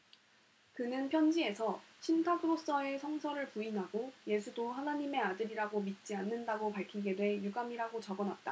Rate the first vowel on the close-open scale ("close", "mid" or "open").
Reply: close